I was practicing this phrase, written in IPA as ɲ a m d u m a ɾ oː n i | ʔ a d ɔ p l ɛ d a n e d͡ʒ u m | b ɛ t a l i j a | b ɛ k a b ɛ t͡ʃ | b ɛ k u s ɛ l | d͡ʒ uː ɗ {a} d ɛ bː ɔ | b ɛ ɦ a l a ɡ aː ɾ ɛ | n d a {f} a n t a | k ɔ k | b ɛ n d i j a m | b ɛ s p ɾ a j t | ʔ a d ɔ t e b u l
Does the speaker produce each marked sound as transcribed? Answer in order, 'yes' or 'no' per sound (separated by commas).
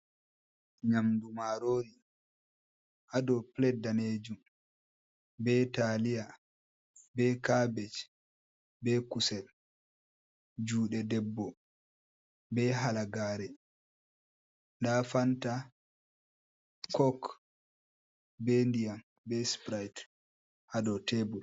no, yes